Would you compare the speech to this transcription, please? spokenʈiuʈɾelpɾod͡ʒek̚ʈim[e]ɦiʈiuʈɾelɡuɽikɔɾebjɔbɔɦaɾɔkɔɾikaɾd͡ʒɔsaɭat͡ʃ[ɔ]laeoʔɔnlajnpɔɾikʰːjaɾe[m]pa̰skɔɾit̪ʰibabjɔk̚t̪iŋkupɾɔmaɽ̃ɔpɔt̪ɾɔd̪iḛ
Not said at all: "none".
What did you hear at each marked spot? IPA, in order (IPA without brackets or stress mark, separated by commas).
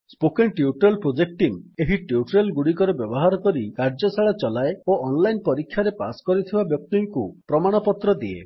e, ɔ, none